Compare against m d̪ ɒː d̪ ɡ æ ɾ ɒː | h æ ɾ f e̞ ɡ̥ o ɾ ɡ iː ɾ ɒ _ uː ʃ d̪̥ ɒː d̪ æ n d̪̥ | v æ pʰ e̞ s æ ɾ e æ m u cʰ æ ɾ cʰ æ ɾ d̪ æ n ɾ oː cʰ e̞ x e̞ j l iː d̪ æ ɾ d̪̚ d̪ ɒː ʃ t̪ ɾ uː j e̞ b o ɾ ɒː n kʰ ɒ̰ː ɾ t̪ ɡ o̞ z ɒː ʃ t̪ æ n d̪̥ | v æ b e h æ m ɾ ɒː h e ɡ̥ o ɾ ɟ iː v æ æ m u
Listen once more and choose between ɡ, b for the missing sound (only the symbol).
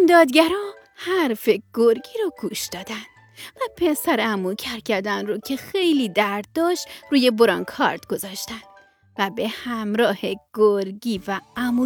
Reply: ɡ